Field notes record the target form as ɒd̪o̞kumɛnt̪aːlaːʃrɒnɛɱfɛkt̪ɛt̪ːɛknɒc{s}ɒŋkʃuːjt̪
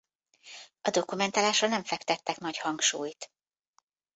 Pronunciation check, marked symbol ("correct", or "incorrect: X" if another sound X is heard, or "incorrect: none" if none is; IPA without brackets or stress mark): incorrect: h